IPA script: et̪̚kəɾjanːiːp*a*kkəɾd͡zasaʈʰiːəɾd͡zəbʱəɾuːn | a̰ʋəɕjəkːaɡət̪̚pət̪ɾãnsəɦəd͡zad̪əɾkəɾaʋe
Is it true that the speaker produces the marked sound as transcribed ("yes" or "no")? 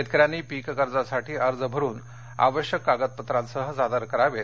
no